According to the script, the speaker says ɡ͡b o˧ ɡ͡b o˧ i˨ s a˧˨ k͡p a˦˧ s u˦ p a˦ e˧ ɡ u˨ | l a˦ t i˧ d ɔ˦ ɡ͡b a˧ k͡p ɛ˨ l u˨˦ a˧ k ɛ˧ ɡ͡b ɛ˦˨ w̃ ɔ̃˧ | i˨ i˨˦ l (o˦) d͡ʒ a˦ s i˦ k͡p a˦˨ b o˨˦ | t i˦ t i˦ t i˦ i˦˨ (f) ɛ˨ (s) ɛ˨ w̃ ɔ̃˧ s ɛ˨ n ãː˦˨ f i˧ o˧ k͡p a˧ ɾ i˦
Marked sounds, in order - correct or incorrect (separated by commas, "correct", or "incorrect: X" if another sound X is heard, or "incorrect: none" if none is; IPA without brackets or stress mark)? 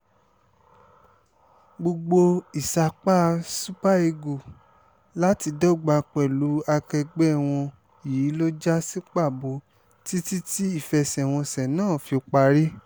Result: correct, correct, correct